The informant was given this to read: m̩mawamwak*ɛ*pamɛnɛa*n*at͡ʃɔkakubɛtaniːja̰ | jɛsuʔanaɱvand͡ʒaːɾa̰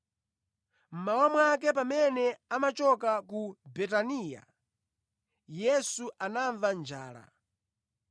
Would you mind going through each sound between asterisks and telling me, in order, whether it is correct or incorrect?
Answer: correct, incorrect

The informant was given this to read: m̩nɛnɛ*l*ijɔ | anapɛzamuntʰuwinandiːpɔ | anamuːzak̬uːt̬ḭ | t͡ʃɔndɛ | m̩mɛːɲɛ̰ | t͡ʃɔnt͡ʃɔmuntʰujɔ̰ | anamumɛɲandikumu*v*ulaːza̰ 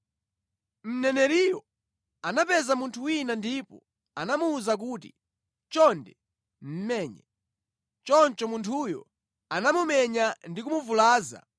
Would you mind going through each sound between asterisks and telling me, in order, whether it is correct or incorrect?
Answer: incorrect, correct

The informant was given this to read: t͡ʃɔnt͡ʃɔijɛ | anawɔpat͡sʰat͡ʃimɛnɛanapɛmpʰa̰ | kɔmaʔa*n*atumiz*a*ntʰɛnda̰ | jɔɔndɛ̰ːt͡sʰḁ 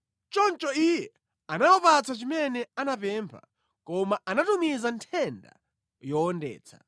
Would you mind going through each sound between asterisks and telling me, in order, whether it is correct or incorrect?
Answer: correct, correct

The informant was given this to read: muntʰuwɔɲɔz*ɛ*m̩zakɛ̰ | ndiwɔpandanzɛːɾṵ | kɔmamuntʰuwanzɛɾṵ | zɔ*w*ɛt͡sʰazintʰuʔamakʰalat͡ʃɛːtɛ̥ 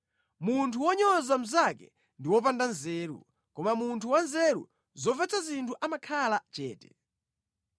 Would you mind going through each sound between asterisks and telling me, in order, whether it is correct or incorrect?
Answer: incorrect, incorrect

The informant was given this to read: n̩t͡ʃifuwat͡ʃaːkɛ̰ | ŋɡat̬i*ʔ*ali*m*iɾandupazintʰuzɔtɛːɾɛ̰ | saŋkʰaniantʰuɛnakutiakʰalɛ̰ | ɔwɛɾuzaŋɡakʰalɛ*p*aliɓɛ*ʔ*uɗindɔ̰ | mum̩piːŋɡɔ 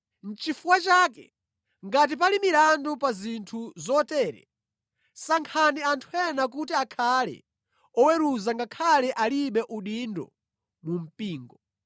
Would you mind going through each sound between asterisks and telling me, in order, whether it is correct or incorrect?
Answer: incorrect, correct, incorrect, correct

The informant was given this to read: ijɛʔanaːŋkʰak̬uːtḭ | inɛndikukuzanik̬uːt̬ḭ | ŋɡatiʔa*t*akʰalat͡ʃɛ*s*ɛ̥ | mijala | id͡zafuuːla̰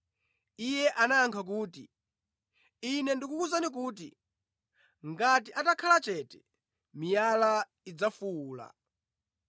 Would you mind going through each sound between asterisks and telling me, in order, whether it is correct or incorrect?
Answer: correct, incorrect

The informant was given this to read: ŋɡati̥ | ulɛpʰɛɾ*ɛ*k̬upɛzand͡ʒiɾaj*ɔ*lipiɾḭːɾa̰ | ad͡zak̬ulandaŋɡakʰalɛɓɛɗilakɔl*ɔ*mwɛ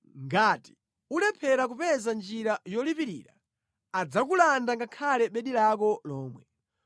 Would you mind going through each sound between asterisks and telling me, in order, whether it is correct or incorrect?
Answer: incorrect, correct, incorrect

